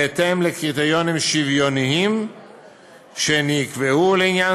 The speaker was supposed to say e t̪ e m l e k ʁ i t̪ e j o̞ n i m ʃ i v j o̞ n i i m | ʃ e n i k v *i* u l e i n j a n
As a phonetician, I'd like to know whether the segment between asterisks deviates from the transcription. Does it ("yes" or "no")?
yes